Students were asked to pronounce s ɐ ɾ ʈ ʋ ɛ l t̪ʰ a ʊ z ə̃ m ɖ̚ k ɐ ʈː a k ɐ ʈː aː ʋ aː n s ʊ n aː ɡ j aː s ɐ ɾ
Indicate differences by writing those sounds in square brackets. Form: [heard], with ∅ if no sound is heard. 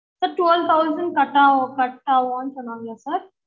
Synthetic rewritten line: s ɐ ɾ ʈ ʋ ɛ l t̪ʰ a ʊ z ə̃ [ɳ] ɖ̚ k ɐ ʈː a k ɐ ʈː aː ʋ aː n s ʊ n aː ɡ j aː s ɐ ɾ